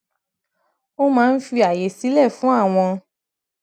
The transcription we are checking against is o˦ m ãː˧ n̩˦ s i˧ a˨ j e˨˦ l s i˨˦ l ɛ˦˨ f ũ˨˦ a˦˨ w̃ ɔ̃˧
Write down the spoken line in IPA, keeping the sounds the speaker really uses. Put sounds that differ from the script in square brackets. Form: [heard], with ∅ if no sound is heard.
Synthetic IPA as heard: o˦ m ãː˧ n̩˦ [f] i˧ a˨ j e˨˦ [∅] s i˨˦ l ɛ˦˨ f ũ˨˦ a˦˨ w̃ ɔ̃˧